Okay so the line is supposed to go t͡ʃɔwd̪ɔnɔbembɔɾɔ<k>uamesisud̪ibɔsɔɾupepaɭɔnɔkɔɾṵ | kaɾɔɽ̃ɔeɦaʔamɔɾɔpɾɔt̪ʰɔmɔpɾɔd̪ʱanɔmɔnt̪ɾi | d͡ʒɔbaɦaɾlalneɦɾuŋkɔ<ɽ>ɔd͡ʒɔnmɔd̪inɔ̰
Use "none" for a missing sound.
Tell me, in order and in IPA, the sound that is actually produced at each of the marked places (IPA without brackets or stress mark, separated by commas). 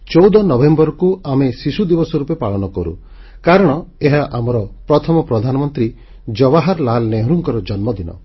k, ɾ